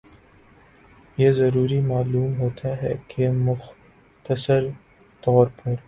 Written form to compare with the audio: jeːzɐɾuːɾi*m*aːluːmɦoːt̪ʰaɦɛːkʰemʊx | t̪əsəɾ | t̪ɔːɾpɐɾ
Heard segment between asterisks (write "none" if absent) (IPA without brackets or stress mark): m